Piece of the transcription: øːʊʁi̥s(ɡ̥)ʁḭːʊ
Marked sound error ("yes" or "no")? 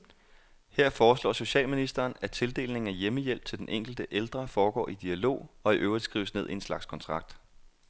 no